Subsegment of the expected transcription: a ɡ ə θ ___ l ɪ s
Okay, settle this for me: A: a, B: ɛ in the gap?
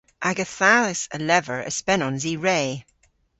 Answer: A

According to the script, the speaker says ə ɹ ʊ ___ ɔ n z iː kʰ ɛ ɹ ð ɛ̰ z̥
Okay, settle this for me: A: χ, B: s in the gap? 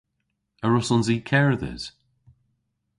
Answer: B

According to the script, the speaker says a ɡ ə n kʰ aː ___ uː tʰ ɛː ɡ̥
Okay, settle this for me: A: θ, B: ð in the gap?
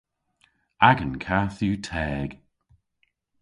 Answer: A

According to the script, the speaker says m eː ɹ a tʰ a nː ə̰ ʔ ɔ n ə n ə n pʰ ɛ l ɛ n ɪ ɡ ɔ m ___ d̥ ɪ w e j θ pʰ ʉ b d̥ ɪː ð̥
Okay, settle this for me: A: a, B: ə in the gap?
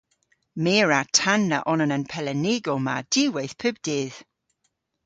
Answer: A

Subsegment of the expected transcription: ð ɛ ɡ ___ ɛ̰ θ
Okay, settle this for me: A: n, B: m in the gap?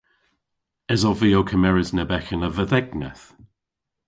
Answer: A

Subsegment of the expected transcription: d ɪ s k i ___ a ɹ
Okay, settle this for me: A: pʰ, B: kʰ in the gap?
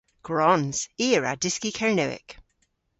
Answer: B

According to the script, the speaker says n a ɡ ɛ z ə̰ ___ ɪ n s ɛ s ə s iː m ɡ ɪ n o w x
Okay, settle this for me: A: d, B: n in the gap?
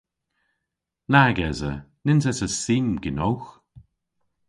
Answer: B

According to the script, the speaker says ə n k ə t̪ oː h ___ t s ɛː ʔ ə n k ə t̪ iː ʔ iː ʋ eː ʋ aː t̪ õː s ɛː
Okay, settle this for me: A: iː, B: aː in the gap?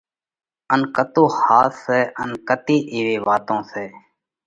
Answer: B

